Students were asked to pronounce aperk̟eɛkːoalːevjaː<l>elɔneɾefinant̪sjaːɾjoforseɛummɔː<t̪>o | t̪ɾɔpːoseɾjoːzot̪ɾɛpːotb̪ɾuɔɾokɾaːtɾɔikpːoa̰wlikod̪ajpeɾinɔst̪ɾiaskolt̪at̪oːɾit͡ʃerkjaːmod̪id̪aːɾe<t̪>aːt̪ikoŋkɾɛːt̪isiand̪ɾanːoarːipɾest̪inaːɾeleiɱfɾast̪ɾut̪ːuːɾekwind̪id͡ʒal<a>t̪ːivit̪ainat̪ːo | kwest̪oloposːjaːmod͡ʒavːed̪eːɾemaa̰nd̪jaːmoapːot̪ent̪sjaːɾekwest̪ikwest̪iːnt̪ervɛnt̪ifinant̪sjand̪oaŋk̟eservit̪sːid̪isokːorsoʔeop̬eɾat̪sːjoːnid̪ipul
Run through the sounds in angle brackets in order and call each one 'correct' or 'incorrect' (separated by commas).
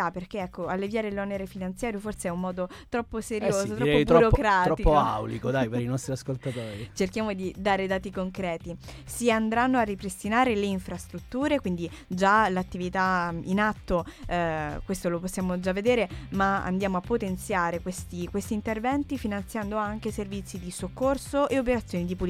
incorrect, incorrect, incorrect, correct